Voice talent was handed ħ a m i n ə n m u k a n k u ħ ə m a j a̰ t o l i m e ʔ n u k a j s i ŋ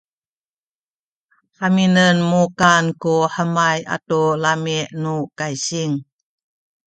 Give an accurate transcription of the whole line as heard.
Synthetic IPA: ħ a m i n ə n m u k a n k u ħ ə m a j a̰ t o l a m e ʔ n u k a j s i ŋ